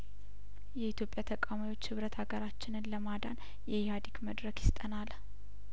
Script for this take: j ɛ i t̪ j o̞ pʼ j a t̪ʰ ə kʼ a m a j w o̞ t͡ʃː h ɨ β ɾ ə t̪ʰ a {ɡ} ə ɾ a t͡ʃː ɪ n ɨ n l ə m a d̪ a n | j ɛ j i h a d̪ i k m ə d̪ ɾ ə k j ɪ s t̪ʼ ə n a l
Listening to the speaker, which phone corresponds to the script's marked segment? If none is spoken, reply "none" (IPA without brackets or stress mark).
ɡ